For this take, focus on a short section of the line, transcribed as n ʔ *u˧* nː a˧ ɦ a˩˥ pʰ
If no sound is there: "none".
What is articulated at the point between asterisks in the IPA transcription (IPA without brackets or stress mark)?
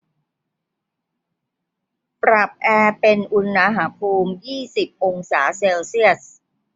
u˧